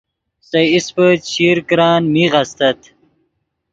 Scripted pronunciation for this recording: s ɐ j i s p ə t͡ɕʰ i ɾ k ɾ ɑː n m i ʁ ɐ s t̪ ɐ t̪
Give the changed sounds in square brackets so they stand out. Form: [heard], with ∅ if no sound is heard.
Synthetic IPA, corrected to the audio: s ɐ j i s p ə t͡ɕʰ i ɾ k ɾ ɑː n m i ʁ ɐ s t̪ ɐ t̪